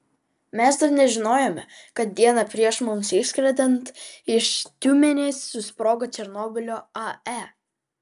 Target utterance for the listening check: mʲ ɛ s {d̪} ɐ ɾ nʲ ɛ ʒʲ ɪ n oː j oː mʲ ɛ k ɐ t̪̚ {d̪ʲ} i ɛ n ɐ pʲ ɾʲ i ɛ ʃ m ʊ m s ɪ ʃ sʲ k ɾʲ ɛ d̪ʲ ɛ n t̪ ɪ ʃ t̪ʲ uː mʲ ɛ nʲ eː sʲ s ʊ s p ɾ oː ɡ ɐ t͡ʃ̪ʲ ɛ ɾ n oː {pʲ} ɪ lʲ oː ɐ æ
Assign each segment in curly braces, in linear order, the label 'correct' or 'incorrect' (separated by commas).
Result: correct, correct, incorrect